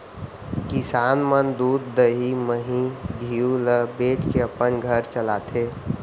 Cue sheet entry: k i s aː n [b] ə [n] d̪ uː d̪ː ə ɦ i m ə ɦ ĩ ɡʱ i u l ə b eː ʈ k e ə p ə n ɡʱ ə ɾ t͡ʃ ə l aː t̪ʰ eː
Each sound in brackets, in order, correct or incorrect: incorrect: m, correct

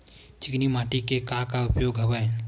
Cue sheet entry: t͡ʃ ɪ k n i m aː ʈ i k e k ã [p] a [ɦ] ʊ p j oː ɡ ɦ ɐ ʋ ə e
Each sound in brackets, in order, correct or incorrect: incorrect: k, incorrect: none

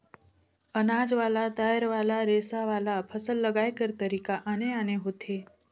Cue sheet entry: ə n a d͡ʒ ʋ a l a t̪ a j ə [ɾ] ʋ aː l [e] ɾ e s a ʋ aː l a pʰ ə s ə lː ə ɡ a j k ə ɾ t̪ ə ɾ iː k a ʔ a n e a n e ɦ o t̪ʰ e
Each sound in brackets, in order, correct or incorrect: correct, incorrect: a

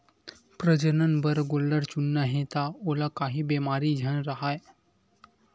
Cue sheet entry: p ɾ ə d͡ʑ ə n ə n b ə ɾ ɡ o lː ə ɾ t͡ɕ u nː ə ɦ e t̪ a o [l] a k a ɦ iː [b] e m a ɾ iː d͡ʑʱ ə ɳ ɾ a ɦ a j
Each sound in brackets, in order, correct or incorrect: correct, correct

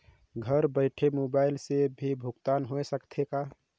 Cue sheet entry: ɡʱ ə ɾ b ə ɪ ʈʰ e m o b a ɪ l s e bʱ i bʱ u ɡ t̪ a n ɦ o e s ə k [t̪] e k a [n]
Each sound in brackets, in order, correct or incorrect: incorrect: t̪ʰ, incorrect: none

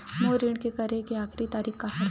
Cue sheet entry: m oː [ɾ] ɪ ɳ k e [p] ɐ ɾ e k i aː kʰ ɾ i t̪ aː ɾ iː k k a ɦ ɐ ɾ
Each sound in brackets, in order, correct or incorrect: correct, incorrect: k

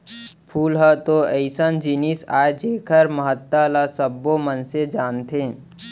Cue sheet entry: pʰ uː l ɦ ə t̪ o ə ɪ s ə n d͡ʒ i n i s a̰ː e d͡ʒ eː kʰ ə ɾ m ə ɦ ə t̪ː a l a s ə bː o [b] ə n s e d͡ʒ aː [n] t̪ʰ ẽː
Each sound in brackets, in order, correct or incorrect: incorrect: m, correct

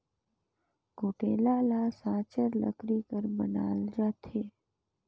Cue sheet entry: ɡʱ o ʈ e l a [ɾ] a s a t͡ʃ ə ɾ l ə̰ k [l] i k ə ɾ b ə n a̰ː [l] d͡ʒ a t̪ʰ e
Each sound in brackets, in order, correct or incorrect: incorrect: l, incorrect: ɾ, correct

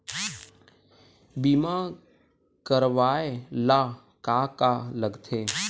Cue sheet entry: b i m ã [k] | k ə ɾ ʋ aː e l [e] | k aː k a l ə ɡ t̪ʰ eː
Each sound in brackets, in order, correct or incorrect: incorrect: none, incorrect: a

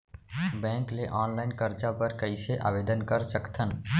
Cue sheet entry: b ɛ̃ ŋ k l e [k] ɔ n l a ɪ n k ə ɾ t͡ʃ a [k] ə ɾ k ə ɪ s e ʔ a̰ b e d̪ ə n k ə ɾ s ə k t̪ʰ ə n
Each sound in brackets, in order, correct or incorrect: incorrect: ʔ, incorrect: p

